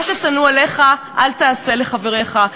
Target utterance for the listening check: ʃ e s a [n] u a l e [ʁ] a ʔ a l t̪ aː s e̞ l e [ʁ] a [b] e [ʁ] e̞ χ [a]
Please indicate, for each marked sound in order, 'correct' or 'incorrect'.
correct, incorrect: χ, incorrect: χ, incorrect: v, correct, correct

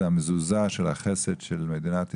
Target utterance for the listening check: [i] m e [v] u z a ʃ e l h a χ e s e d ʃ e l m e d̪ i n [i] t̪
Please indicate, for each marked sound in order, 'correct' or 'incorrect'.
incorrect: a, incorrect: z, incorrect: a

